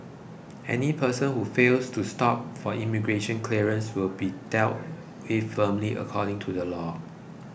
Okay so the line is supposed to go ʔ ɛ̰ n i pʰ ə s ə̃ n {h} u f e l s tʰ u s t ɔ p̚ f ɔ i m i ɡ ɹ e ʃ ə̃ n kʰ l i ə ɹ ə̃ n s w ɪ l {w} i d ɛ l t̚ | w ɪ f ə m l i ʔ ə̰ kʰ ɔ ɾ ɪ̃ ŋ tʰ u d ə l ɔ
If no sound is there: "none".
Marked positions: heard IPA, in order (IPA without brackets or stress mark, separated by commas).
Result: h, b